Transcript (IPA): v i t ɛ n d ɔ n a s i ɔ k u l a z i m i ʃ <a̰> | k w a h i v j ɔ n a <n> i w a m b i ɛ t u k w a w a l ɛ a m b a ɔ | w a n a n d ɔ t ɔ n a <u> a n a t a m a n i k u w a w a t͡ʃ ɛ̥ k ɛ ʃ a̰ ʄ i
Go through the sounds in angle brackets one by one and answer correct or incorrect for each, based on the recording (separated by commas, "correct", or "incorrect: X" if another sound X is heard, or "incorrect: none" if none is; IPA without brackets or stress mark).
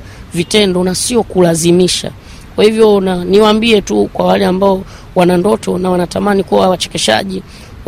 correct, correct, incorrect: w